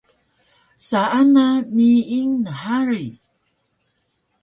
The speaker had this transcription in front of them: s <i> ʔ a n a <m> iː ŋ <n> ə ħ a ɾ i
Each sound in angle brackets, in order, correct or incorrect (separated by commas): incorrect, correct, correct